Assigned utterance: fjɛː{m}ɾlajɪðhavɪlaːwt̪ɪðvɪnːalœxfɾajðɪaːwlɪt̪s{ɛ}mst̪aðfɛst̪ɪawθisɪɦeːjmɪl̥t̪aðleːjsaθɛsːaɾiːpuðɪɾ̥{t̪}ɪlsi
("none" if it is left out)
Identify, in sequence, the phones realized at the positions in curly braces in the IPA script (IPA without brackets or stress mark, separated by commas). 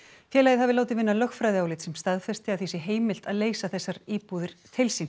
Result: none, ɛ, t̪ʰ